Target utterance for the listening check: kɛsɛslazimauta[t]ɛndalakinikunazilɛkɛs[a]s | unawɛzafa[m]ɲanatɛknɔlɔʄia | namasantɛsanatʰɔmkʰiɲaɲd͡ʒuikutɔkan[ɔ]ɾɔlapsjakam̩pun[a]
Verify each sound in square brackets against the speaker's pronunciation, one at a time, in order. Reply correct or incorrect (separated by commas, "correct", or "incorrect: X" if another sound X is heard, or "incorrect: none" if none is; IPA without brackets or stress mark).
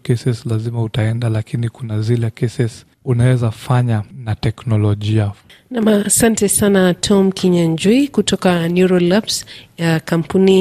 incorrect: none, incorrect: ɛ, incorrect: none, incorrect: u, incorrect: i